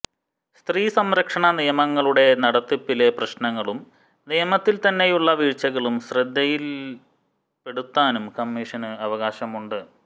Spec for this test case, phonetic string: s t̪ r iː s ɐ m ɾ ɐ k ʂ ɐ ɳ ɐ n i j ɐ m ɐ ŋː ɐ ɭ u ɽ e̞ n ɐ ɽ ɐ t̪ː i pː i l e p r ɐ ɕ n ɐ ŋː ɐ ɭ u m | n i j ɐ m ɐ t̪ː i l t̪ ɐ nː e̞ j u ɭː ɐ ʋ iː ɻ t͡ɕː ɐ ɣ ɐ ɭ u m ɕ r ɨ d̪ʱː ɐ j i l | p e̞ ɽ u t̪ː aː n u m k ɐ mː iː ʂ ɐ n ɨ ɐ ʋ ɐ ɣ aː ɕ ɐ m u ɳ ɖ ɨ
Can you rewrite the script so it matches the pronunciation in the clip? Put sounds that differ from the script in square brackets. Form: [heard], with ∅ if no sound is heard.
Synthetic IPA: s t̪ r iː s ɐ m ɾ ɐ k ʂ ɐ ɳ ɐ n i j ɐ m ɐ ŋː ɐ ɭ u ɽ e̞ n ɐ ɽ ɐ t̪ː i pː i l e p r ɐ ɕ n ɐ ŋː ɐ ɭ u m | n i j ɐ m ɐ t̪ː i l t̪ ɐ nː e̞ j u ɭː ɐ ʋ iː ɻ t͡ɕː ɐ ɣ ɐ ɭ u m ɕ r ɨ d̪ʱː ɐ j i l | p e̞ ɽ u t̪ː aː n u m k ɐ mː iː ʂ ɐ n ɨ ɐ ʋ ɐ ɣ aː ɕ ɐ m u ɳ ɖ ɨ